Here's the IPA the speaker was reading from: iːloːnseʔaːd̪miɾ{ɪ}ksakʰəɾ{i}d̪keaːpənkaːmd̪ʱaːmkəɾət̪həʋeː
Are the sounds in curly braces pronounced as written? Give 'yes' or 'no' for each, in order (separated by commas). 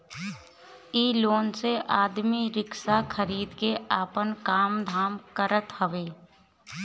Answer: yes, no